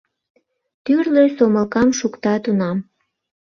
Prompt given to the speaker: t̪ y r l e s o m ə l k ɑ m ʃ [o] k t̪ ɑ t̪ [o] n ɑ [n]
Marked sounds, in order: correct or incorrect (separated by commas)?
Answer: incorrect, incorrect, incorrect